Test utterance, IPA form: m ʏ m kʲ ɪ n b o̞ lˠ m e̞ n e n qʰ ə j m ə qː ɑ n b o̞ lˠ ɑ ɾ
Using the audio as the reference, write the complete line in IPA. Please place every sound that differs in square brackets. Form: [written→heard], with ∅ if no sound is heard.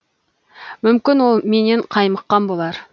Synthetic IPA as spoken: m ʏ m kʲ ɪ n [b→w] o̞ lˠ m e̞ n e [n→ɴ] qʰ [ə→ɑ] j m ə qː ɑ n b o̞ lˠ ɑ ɾ

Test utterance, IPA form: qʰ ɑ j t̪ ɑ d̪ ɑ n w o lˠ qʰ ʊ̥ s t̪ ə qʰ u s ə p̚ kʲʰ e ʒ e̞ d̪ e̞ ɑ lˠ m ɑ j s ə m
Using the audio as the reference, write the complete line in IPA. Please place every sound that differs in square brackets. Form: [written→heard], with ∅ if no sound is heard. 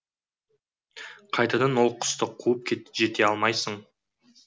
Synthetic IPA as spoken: qʰ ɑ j t̪ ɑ d̪ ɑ n w o lˠ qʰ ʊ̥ s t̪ ə qʰ u [s→∅] ə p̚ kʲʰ e ʒ e̞ [d̪→t̪] e̞ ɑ lˠ m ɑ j s ə [m→ɴ]

